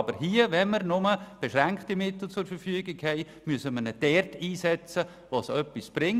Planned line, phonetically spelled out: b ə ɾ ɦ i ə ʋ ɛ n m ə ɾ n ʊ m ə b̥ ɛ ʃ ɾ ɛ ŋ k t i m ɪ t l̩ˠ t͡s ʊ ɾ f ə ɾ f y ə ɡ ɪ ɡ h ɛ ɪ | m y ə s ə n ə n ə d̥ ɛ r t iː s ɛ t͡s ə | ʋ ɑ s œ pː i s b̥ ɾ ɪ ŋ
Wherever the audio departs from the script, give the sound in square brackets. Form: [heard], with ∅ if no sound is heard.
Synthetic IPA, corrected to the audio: b ə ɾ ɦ i ə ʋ ɛ n m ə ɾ n ʊ m ə b̥ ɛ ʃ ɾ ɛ ŋ k t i m ɪ t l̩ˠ t͡s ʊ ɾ f ə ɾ f y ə ɡ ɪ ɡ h ɛ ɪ | m y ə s ə [m] ə n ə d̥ ɛ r t iː s ɛ t͡s ə | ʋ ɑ s œ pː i s b̥ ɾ ɪ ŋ

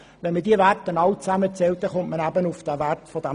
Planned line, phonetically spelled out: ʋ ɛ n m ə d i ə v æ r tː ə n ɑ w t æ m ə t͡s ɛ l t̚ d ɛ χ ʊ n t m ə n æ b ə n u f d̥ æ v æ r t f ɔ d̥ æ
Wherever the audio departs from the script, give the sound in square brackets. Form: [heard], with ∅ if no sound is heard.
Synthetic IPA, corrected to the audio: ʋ ɛ n m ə d i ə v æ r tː ə n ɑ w [t͡s] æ m ə t͡s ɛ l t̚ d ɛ χ ʊ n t m ə n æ b ə n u f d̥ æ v æ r t f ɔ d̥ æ

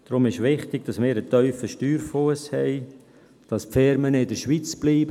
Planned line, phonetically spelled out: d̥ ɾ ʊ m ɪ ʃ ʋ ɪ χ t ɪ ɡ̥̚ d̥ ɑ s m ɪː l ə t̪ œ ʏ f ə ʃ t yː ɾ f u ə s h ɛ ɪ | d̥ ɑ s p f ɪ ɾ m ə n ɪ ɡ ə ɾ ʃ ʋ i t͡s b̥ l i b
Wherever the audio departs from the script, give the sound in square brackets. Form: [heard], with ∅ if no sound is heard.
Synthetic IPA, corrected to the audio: d̥ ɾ ʊ m ɪ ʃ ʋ ɪ χ t ɪ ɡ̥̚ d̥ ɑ s m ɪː [ɾ] ə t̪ œ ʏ f ə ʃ t yː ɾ f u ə s h ɛ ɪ | d̥ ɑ s p f ɪ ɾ m ə n ɪ [d] ə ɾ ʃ ʋ i t͡s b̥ l [iː] b

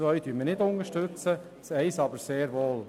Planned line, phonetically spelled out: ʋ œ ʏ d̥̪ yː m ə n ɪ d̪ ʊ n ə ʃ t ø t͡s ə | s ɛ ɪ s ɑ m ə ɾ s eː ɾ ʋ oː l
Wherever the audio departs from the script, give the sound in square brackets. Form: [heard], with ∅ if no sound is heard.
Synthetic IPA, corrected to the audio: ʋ œ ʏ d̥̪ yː m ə n ɪ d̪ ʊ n ə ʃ t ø t͡s ə | s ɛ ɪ s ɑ [b] ə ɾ s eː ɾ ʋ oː l

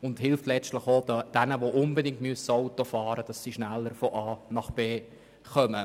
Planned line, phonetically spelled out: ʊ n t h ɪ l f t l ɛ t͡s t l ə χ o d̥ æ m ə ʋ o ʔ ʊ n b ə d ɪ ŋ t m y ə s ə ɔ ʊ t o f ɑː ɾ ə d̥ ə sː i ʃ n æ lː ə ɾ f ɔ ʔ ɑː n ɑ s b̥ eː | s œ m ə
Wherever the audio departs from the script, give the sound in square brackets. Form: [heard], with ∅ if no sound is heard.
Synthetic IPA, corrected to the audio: ʊ n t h ɪ l f t l ɛ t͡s t l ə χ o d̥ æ [n] ə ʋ o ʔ ʊ n b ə d ɪ ŋ t m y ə s ə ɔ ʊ t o f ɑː ɾ ə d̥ [ɑ] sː i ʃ n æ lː ə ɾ f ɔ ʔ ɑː n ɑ [χ] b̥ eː | [χ] œ m ə

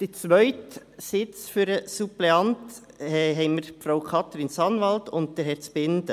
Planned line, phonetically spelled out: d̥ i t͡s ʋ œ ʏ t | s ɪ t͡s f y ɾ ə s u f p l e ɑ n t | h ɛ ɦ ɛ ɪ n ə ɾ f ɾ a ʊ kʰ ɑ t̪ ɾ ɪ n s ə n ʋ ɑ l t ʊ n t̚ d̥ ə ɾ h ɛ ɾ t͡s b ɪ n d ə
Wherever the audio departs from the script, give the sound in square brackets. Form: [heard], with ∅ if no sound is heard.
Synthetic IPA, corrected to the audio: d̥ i t͡s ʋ œ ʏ t | s ɪ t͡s f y ɾ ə s u [∅] p l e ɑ n t | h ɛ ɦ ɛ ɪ [m] ə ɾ f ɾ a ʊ kʰ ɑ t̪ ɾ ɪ n s [ɑ] n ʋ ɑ l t ʊ n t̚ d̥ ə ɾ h ɛ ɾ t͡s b ɪ n d ə

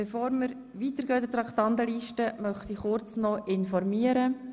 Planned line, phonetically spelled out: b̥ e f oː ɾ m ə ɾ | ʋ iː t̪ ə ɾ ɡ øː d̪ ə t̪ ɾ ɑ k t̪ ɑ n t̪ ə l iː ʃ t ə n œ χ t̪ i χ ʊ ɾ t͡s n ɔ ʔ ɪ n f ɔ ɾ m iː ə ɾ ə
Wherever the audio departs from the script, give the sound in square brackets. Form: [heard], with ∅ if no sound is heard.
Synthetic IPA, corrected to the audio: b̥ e f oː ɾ m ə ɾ | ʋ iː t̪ ə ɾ ɡ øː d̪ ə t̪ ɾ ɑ k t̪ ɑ n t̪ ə l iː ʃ t ə [m] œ χ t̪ i χ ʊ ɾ t͡s n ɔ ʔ ɪ n f ɔ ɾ m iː ə ɾ ə

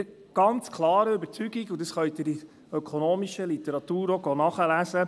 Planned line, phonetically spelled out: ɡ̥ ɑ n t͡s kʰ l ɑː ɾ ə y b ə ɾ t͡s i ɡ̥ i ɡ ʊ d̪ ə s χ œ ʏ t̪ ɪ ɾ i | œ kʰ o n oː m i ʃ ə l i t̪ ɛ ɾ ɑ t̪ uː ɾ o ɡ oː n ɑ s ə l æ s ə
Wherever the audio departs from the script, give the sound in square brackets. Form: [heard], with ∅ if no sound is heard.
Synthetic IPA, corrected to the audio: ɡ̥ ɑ n t͡s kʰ l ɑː ɾ ə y b ə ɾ t͡s [y] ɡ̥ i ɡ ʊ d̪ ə s χ œ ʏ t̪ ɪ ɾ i | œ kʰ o n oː m i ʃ ə l i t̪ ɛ ɾ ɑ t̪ uː ɾ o ɡ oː n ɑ [χ] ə l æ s ə

